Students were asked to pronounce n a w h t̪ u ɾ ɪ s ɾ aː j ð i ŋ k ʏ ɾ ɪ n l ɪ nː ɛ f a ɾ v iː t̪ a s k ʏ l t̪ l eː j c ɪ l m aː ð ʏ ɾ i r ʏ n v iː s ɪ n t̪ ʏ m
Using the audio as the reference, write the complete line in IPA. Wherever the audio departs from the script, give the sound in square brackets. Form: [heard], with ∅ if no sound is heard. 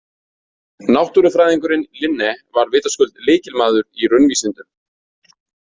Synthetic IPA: n a w h t̪ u ɾ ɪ [f] ɾ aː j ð i ŋ k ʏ ɾ ɪ n l ɪ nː ɛ [v] a ɾ v [ɪː] t̪ a s k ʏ l t̪ l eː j c ɪ l m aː ð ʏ ɾ i r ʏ n v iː s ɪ n t̪ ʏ m